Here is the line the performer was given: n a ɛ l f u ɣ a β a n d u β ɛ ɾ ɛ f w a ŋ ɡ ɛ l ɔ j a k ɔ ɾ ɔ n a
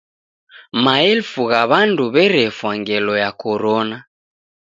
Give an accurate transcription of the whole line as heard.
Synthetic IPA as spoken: m a ɛ l f u ɣ a β a n d u β ɛ ɾ ɛ f w a ŋ ɡ ɛ l ɔ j a k ɔ ɾ ɔ n a